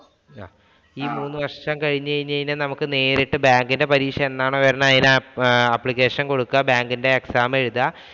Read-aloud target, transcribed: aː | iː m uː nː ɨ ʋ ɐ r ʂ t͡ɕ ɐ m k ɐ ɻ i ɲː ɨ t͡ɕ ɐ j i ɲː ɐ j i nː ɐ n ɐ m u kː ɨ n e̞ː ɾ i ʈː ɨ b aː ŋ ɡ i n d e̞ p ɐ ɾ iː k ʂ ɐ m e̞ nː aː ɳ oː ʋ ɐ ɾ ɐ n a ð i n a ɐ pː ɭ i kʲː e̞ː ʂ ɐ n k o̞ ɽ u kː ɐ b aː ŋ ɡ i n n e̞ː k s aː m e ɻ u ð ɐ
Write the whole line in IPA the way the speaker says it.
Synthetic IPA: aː | iː m uː nː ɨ ʋ ɐ r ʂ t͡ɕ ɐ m k ɐ ɻ i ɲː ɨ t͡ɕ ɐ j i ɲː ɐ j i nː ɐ n ɐ m u kː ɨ n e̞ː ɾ i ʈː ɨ b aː ŋ ɡ i n d e̞ p ɐ ɾ iː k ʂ ɐ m e̞ nː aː ɳ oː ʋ ɐ ɾ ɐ n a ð i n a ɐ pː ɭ i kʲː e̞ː ʂ ɐ n k o̞ ɽ u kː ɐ b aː ŋ ɡ i n d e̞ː k s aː m e ɻ u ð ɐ